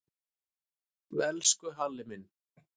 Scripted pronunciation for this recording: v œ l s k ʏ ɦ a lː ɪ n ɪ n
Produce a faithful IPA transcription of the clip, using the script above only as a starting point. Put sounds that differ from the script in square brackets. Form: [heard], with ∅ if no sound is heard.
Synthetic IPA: v [ɛ] l s k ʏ ɦ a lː ɪ [m] ɪ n